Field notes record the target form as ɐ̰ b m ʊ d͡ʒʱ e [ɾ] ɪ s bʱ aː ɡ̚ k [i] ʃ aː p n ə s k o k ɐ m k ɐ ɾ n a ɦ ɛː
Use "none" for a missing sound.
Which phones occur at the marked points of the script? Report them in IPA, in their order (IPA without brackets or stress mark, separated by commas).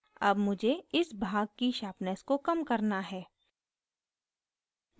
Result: none, i